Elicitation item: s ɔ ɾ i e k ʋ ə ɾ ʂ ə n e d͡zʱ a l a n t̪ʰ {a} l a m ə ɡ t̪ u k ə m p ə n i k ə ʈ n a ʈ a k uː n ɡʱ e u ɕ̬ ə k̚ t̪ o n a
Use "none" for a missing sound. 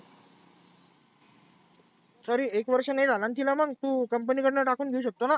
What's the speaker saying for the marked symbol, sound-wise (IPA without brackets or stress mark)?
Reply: i